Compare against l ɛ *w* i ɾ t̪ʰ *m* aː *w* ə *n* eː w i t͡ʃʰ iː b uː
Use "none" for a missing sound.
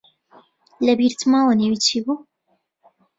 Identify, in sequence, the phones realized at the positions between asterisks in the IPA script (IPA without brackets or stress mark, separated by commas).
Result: b, m, w, n